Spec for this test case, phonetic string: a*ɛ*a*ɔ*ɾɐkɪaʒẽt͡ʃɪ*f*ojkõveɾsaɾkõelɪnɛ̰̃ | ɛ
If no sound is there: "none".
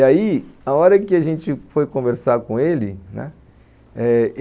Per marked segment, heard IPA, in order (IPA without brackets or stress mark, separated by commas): i, ɔ, f